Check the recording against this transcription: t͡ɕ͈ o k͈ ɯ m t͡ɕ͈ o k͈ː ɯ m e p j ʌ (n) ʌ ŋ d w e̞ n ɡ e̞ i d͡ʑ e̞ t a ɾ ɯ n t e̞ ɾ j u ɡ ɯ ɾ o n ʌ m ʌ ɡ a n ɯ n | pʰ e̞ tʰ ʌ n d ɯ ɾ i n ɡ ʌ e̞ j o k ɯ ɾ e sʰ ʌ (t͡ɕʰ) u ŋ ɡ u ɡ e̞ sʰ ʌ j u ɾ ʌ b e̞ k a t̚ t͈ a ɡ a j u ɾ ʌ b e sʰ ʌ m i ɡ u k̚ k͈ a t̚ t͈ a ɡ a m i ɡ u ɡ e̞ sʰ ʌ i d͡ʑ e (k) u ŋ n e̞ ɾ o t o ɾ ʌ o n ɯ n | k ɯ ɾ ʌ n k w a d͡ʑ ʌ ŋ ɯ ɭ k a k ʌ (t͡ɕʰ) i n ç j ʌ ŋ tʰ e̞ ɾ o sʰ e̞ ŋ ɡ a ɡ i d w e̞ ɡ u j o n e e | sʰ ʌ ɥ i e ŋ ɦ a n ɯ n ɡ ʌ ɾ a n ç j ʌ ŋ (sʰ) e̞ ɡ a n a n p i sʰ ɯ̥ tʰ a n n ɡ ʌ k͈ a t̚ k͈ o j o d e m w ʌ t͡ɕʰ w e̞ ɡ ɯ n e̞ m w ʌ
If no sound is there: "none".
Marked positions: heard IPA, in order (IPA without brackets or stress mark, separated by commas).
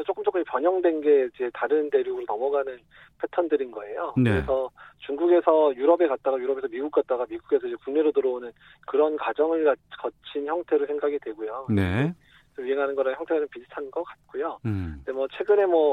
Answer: ɲ, t͡ɕ, k, t͡ɕʰ, tʰ